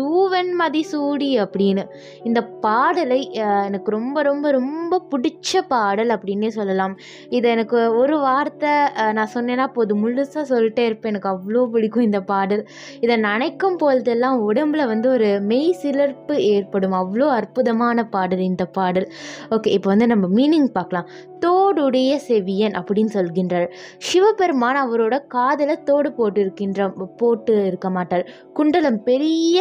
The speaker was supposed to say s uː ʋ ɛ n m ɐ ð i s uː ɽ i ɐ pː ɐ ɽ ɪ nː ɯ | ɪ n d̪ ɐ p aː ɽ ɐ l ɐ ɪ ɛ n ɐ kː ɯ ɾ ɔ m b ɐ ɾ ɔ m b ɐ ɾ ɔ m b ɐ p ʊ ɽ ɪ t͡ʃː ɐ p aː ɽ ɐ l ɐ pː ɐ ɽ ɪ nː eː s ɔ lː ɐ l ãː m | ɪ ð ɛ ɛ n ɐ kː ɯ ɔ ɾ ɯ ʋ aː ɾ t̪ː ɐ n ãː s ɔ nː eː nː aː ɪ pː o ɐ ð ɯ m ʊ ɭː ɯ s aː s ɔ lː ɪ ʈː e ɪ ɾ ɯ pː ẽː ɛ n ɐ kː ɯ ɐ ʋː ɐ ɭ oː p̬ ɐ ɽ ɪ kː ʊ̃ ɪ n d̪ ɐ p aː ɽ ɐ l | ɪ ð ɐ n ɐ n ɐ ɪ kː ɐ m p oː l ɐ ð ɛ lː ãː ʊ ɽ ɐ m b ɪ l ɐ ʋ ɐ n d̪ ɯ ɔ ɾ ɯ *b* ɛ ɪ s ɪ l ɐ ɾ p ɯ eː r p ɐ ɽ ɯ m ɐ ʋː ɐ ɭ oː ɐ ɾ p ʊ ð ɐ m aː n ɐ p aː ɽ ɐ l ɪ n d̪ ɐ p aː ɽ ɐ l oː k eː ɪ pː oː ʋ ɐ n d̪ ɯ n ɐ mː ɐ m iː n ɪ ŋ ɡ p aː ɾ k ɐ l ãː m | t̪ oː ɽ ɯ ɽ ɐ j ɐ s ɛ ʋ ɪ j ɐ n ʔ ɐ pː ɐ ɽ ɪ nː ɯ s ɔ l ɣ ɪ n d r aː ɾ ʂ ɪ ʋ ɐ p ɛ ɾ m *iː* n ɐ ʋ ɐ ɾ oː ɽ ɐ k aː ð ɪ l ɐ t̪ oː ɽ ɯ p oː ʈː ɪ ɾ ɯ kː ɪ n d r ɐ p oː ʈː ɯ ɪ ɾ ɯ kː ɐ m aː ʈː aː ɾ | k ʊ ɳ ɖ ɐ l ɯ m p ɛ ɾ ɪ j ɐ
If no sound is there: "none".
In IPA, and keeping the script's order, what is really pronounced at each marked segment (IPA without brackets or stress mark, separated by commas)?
m, aː